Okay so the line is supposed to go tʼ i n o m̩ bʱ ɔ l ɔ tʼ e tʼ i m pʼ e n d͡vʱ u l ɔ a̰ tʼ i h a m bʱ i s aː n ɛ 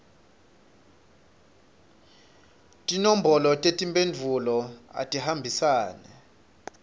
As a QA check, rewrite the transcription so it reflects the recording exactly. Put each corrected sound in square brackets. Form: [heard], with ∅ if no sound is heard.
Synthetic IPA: tʼ i n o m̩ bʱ ɔ l ɔ tʼ e tʼ i m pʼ e n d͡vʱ u l ɔ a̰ tʼ i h a m bʱ i s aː n ɛ

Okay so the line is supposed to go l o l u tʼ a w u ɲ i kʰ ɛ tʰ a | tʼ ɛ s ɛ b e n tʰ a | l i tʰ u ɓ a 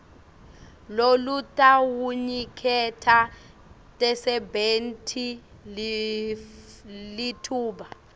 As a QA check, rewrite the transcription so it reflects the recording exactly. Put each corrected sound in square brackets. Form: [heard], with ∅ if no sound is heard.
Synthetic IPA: l o l u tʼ a w u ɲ i kʰ ɛ tʰ a | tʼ ɛ s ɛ b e n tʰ [i] | l i tʰ [uː] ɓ a

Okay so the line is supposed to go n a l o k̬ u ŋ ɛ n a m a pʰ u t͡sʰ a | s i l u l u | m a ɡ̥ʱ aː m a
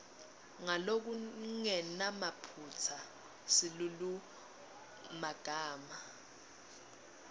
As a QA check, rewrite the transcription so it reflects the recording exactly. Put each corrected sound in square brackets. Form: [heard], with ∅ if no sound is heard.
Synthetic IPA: [ŋ] a l o k̬ u ŋ ɛ n a m a pʰ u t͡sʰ a | s i l u l u | m a ɡ̥ʱ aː m a

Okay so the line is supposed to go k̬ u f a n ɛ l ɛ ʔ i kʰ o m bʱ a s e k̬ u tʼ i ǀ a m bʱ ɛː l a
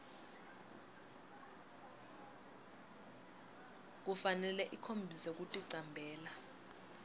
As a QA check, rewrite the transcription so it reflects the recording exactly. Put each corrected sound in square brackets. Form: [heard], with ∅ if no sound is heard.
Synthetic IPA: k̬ u f a n ɛ l ɛ ʔ i kʰ o m bʱ [i] s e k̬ u tʼ i ǀ a m bʱ ɛː l a

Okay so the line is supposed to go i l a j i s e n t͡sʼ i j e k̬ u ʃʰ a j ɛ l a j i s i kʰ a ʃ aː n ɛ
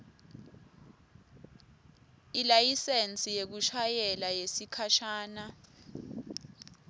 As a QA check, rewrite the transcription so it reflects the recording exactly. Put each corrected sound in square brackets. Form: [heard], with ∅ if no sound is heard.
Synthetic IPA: i l a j i s e n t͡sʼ i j e k̬ u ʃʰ a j ɛ l a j [e] s i kʰ a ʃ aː n [a]

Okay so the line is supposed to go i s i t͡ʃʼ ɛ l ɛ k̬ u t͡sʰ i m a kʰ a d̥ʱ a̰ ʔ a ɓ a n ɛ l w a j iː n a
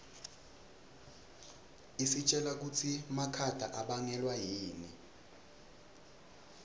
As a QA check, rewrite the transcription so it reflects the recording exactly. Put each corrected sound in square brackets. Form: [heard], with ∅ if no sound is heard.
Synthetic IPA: i s i t͡ʃʼ ɛ l [a] k̬ u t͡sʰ i m a kʰ a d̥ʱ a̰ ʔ a ɓ a [ŋ] ɛ l w a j iː n [i]

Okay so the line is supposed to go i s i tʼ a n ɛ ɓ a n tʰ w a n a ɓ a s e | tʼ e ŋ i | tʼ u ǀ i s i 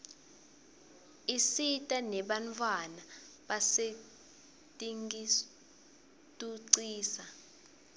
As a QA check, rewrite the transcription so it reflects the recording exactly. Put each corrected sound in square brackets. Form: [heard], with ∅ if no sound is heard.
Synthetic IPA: i s i tʼ a n ɛ ɓ a n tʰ w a n a ɓ a s e | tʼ [i] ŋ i | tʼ u ǀ [iː] s [a]

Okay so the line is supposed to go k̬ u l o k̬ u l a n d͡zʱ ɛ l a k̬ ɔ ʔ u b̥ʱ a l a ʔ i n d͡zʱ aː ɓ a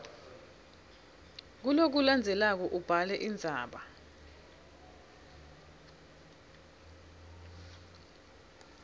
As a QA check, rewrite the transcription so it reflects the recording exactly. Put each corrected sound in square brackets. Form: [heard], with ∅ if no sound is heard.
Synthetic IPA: k̬ u l o k̬ u l a n d͡zʱ ɛ l a k̬ ɔ ʔ u b̥ʱ a l [ɛ] ʔ i n d͡zʱ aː ɓ a

